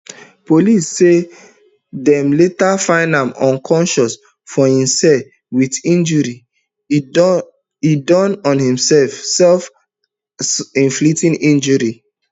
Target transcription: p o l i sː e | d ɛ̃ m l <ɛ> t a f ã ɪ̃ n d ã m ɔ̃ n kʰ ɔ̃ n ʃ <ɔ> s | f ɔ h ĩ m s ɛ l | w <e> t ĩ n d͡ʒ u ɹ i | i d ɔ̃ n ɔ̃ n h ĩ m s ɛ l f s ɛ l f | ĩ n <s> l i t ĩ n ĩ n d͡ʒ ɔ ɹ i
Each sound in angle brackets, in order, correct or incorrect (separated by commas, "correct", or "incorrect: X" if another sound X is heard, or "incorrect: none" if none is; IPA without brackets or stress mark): incorrect: e, correct, incorrect: i, incorrect: f